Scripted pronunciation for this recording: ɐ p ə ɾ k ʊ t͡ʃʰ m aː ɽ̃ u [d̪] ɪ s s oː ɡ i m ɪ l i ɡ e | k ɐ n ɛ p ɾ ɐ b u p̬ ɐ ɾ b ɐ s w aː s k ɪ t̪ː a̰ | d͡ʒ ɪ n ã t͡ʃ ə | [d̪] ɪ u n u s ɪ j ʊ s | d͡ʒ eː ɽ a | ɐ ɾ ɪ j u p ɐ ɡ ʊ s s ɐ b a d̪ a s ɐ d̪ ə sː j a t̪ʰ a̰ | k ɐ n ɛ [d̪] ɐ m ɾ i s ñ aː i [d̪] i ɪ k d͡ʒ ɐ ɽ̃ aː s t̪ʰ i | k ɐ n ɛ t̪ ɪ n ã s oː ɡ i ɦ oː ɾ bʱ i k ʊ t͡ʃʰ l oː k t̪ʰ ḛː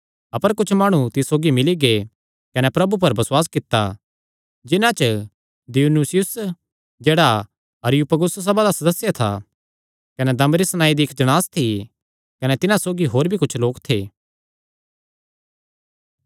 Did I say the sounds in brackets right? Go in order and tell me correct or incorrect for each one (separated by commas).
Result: incorrect, correct, correct, correct